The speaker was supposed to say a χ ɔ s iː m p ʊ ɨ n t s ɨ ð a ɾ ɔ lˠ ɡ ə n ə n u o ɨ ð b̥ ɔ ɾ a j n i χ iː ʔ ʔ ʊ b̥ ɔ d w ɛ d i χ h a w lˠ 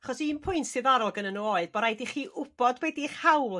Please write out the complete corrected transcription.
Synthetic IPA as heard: a χ ɔ s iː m pʰ ʊ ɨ n t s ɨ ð a ɾ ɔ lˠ ɡ ə n ə n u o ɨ ð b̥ ɔ ɾ a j d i χ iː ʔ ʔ ʊ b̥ ɔ d w ɛ d i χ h a w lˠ

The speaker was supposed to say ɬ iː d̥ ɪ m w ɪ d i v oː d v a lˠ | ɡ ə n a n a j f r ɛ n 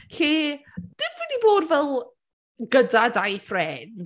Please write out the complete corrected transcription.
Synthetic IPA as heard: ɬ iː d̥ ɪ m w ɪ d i b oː d v ɛ lˠ | ɡ ə d a d a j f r ɛ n

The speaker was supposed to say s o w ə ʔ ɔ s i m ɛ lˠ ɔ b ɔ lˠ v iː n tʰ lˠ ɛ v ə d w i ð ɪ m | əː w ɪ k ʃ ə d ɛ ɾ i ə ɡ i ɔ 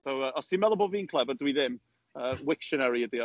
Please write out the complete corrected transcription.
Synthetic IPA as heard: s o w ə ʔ ɔ s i m ɛ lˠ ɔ b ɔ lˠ v iː n kʰ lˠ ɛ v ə d w i ð ɪ m | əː w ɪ k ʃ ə n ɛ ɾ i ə d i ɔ

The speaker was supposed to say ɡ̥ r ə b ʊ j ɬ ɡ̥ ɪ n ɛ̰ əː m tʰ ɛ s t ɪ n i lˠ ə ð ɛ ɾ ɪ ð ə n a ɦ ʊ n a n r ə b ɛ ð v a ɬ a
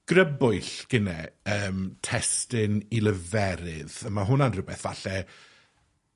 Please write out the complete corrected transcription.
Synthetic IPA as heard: ɡ̥ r ə b ʊ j ɬ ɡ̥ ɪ n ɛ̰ əː m tʰ ɛ s t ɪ n i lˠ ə v ɛ ɾ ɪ ð ə m a ɦ ʊ n a n r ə b ɛ θ v a ɬ ɛ

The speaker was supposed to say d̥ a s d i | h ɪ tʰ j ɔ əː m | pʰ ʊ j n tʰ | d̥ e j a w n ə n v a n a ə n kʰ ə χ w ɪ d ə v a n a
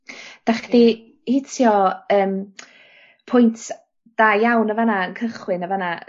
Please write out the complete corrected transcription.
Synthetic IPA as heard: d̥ a χ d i | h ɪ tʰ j ɔ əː m | pʰ ʊ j n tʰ | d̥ a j a w n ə v a n a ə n kʰ ə χ w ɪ n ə v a n a

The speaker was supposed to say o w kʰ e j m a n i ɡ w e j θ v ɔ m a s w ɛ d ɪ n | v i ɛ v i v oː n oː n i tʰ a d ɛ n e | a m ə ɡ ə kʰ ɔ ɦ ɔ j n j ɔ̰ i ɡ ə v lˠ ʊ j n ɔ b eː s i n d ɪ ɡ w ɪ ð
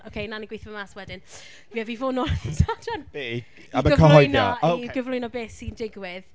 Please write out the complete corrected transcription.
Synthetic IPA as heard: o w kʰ e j n a n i ɡ w e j θ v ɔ m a s w ɛ d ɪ n | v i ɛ v i v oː n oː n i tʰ a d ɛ n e | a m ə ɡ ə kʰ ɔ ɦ ɔ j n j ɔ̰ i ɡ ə v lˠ ʊ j n ɔ b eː s i n d ɪ ɡ w ɪ ð

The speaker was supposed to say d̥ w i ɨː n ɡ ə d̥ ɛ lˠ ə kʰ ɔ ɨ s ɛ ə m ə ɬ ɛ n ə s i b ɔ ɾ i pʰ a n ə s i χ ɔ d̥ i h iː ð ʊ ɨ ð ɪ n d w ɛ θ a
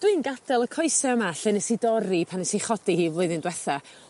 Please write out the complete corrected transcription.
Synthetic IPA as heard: d̥ w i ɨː n ɡ a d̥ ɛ lˠ ə kʰ ɔ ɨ s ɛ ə m a ɬ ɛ n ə s i d ɔ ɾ i pʰ a n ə s i χ ɔ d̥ i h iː v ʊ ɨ ð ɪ n d w ɛ θ a

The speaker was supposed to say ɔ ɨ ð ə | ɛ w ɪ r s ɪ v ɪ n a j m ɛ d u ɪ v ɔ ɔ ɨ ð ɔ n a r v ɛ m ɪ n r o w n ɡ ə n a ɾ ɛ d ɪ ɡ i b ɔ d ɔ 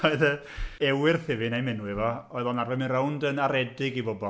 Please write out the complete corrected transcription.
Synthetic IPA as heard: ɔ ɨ ð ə | ɛ w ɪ r θ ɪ v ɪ n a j m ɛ n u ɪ v ɔ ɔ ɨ ð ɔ n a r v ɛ m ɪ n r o w n d ə n a ɾ ɛ d ɪ ɡ i b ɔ b ɔ

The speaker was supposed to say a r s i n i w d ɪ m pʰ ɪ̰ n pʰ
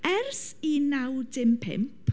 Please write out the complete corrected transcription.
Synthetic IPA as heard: ɛ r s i n a w d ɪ m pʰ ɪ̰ m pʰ

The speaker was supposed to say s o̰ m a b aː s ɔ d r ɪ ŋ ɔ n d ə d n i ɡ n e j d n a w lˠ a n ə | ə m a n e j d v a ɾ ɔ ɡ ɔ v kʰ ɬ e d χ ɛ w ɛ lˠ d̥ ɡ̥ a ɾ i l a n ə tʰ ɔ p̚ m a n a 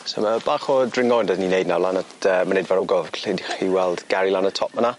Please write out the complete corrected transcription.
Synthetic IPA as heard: s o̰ m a b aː χ ɔ d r ɪ ŋ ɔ n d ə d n i n e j d n a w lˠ a n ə | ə m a n e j d v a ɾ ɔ ɡ ɔ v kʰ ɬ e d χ i w ɛ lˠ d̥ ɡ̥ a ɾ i l a n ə tʰ ɔ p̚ m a n a

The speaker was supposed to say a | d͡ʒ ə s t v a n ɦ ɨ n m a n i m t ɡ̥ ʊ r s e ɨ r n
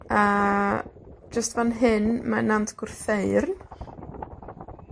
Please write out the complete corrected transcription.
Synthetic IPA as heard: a | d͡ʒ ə s t v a n ɦ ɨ n m a n a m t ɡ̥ ʊ r θ e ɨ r n

